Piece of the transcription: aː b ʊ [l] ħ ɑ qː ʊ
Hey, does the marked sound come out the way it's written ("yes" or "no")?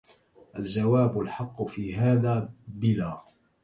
yes